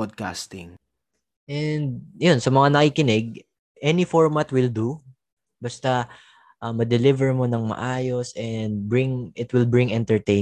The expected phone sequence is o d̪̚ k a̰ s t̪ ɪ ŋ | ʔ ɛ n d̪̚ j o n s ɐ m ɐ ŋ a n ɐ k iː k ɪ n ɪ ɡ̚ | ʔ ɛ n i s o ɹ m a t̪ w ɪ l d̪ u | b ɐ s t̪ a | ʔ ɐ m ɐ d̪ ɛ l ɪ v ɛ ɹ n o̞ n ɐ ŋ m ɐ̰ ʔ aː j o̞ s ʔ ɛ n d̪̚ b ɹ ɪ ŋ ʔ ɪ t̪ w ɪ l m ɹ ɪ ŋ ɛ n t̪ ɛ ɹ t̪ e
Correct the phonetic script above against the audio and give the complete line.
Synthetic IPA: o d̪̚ k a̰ s t̪ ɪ ŋ | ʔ ɛ n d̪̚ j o n s ɐ m ɐ ŋ a n ɐ k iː k ɪ n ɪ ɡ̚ | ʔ ɛ n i f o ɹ m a t̪ w ɪ l d̪ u | b ɐ s t̪ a | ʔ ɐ m ɐ d̪ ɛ l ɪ v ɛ ɹ m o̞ n ɐ ŋ m ɐ̰ ʔ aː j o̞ s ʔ ɛ n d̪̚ b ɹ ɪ ŋ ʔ ɪ t̪ w ɪ l b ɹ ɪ ŋ ɛ n t̪ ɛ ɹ t̪ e